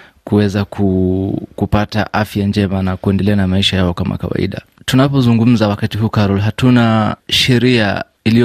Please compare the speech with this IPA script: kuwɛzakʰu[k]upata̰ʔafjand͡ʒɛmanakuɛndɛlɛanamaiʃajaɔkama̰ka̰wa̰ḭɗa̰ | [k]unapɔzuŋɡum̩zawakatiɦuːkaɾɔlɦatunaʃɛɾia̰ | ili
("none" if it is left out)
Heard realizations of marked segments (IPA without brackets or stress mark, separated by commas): k, t